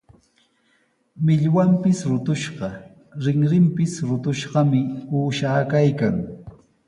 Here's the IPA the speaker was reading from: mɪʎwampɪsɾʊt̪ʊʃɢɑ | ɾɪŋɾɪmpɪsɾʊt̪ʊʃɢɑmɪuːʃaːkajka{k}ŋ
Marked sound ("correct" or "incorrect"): incorrect